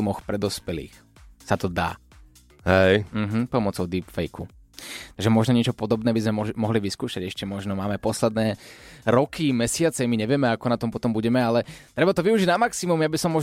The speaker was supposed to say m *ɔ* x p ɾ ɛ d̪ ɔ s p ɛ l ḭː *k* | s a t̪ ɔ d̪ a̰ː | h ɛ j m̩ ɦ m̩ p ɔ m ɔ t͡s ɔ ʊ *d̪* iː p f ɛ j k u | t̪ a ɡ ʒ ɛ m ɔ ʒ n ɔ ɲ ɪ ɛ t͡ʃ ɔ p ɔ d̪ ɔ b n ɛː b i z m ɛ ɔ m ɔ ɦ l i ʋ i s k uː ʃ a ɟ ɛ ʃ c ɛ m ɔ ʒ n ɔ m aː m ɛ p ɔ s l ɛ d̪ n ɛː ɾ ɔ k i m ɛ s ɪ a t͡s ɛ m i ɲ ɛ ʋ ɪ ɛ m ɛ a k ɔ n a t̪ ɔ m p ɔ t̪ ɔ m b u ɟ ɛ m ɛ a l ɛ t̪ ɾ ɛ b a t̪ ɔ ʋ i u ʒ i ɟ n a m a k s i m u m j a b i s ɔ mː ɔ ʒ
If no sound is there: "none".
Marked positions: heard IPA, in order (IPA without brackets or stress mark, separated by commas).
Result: ɔ, x, d̪